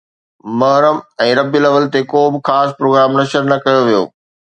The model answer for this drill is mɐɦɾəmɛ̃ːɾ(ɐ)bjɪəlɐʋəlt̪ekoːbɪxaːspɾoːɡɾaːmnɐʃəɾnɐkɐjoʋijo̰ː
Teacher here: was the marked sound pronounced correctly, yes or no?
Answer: yes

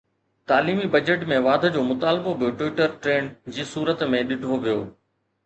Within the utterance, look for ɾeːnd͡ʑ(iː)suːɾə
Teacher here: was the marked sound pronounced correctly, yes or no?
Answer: yes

